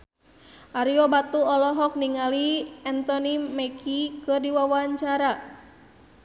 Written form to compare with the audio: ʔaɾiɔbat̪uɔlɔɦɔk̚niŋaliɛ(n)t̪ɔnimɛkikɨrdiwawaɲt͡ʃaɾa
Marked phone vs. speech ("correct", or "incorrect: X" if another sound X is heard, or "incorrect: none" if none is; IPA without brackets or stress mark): correct